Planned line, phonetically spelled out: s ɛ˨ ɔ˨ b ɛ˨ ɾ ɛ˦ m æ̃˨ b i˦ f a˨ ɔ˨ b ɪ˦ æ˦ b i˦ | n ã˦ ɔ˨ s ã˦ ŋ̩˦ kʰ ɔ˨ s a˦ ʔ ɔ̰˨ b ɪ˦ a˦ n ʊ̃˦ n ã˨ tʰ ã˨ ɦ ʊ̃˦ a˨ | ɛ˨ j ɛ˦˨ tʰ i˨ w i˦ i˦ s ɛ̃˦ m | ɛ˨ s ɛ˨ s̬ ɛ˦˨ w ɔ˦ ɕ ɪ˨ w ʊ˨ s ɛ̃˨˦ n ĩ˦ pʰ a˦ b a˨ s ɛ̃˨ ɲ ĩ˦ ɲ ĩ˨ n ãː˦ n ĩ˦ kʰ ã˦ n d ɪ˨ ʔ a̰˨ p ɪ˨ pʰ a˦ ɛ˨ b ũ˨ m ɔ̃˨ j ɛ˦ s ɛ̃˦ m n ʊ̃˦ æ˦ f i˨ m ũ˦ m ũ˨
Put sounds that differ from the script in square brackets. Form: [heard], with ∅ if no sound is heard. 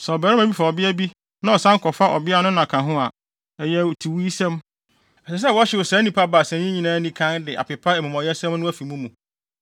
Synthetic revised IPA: s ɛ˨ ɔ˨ b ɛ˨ ɾ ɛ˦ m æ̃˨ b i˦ f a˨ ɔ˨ b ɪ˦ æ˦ b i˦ | n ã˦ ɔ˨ s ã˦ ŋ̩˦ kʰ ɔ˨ [f] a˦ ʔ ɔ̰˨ b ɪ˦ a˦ n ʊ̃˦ n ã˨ [kʰ] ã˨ ɦ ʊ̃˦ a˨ | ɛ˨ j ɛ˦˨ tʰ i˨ w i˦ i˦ s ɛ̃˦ m | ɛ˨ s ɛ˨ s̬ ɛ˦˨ w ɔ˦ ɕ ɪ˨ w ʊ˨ s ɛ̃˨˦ n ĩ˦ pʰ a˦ b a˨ s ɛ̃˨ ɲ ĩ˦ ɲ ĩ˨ n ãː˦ n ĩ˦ kʰ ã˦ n d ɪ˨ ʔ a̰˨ p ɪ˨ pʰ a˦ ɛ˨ [m] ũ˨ m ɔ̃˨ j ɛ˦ s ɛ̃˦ m n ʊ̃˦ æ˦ f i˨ m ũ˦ m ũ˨